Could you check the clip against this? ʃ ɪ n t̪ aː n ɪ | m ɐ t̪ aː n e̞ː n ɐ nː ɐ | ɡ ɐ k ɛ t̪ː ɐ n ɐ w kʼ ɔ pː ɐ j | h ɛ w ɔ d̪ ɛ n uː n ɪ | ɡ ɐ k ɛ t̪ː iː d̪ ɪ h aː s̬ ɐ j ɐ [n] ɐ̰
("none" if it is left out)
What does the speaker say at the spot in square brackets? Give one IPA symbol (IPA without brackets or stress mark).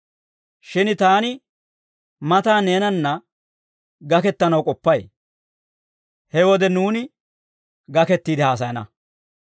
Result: n